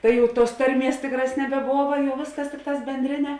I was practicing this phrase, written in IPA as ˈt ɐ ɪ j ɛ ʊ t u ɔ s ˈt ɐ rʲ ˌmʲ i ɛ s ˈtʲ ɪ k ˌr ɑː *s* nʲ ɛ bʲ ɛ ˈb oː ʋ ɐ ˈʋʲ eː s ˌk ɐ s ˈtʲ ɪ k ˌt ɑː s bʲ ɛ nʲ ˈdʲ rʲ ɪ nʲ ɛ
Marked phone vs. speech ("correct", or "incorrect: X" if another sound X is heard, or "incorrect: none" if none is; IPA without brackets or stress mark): correct